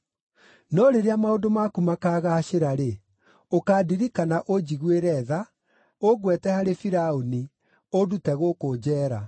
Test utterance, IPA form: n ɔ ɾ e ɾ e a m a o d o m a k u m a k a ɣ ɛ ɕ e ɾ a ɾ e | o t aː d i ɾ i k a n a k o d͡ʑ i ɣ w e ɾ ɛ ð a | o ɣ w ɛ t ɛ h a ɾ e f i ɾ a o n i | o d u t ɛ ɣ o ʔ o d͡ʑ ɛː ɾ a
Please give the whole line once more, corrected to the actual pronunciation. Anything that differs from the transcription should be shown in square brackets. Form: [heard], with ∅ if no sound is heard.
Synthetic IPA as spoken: n ɔ ɾ e ɾ e a m a o d o m a k u m a k a ɣ [a] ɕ e ɾ a ɾ e | o [k] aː d i ɾ i k a n a [ʔ] o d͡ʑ i ɣ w e ɾ ɛ ð a | o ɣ w ɛ t ɛ h a ɾ e f i ɾ a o n i | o d u t ɛ ɣ o [k] o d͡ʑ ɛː ɾ a